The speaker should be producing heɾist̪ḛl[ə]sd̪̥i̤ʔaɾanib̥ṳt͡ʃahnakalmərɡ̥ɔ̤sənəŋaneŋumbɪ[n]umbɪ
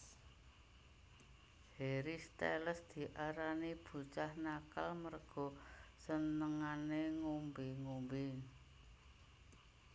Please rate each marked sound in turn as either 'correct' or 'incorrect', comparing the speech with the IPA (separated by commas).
correct, incorrect